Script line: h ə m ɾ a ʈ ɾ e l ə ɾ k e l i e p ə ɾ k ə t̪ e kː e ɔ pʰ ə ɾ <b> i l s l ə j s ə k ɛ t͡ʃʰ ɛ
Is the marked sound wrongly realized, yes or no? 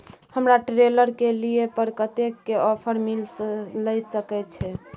yes